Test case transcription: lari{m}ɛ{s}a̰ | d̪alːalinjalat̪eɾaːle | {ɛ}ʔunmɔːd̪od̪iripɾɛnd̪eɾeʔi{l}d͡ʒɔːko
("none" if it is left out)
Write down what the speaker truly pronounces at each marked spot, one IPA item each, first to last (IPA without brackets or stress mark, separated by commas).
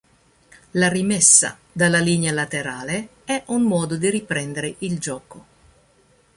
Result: m, sː, ɛ, l